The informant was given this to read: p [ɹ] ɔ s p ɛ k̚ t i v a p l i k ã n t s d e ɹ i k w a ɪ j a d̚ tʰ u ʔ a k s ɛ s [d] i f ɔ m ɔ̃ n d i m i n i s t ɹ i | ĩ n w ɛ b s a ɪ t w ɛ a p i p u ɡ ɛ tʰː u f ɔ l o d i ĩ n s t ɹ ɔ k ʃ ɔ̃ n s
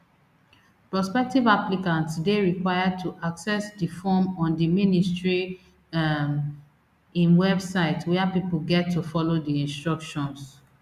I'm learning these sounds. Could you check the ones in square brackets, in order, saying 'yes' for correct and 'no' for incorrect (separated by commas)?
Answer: yes, yes